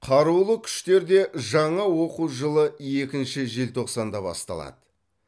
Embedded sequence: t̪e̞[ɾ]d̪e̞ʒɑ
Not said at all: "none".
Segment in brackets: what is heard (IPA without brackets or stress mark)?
ɾ